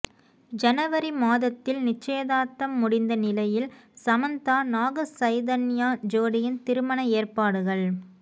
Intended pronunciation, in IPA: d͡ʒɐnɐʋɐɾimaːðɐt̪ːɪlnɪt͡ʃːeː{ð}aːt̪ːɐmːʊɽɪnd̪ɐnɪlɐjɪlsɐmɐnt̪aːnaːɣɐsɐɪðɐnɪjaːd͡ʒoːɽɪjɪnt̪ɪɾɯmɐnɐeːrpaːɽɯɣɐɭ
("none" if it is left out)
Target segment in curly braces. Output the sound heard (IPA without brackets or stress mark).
ð